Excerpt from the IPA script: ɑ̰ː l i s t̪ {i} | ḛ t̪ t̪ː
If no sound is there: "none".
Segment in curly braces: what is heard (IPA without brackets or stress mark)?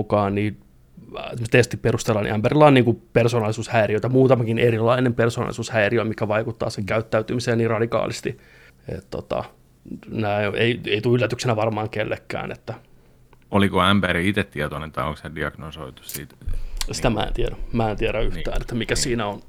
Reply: i